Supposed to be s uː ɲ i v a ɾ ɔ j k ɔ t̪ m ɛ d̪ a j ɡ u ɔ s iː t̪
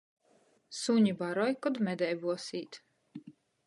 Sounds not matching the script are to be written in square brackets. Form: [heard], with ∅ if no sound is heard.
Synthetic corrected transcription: s [u] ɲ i [b] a ɾ ɔ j k ɔ [d̪] m ɛ d̪ [ɛ] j [b] u ɔ s iː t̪